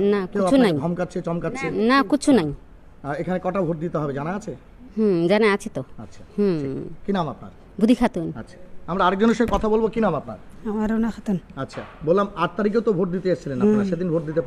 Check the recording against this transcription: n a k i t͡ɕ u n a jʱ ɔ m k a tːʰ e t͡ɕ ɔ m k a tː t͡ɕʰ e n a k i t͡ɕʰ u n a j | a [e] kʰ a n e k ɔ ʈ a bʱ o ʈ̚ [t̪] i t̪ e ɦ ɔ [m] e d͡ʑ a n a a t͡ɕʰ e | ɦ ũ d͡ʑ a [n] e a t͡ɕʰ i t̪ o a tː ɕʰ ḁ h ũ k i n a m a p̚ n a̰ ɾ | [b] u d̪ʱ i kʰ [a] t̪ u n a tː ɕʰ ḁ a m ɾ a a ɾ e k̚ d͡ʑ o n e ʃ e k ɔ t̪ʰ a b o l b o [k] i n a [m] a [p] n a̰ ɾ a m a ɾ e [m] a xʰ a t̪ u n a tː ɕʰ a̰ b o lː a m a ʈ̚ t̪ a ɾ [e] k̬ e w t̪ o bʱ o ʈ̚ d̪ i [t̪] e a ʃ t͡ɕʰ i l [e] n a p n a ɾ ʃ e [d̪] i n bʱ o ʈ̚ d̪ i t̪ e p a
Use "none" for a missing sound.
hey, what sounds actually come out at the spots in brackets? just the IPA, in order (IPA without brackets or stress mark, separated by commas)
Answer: e, d̪, b, n, b, a, k, m, p, n, i, t̪, e, d̪